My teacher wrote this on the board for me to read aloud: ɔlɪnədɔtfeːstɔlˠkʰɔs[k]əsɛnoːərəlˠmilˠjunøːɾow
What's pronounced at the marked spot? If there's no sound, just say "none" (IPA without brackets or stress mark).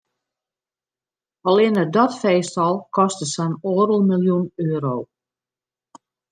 t